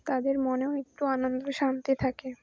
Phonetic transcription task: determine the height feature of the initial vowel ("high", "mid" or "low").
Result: low